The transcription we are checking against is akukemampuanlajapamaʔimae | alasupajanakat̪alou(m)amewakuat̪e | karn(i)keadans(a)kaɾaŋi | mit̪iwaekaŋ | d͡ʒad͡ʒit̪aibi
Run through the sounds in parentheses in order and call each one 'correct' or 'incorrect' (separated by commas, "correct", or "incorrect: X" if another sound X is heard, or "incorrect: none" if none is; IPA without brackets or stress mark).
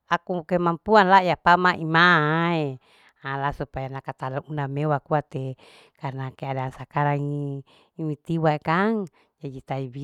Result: incorrect: n, incorrect: a, correct